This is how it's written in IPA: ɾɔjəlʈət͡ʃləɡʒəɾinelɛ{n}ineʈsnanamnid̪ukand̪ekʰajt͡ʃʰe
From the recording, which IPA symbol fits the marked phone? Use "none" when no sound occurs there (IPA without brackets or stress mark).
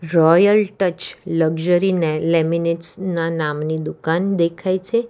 m